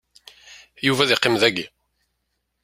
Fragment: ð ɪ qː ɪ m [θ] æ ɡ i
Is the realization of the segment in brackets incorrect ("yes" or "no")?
yes